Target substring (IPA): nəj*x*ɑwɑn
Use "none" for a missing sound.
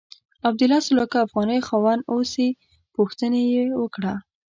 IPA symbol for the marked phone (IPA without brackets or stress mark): x